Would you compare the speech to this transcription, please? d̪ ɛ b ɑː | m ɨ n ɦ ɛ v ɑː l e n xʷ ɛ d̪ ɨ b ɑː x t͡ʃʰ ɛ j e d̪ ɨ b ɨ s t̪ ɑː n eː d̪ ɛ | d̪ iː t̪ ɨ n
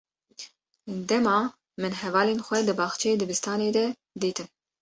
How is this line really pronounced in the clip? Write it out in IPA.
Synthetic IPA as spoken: d̪ ɛ m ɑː | m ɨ n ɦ ɛ v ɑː l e n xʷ ɛ d̪ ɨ b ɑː x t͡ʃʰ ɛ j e d̪ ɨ b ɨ s t̪ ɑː n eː d̪ ɛ | d̪ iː t̪ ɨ n